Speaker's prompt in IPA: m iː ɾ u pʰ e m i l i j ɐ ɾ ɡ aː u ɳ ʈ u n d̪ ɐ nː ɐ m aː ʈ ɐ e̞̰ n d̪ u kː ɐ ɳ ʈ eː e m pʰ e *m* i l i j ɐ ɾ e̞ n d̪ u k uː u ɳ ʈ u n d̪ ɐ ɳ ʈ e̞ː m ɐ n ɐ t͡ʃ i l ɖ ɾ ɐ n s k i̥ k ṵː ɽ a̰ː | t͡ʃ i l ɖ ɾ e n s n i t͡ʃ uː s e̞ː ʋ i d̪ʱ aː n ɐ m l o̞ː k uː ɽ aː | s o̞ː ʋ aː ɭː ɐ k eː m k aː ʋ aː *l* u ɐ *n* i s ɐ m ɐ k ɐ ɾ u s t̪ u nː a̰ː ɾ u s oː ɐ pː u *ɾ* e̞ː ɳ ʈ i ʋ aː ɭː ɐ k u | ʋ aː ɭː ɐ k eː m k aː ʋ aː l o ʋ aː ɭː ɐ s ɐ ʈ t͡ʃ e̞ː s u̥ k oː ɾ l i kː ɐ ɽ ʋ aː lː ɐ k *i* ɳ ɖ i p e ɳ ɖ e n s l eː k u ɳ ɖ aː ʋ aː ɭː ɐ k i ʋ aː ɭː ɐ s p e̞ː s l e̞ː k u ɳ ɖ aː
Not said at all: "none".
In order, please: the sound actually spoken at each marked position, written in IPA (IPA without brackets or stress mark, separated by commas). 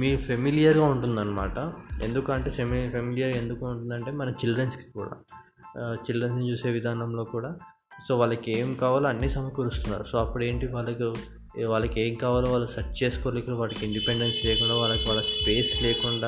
m, l, nː, ɽ, i